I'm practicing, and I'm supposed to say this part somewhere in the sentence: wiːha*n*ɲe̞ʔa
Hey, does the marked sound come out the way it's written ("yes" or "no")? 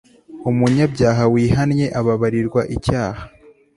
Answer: yes